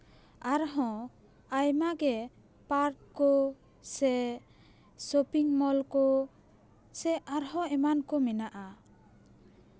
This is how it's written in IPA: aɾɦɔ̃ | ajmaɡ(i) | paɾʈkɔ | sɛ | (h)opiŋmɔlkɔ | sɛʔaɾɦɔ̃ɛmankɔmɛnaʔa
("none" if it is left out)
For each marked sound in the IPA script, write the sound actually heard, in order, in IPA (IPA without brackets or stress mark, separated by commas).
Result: ɛ, s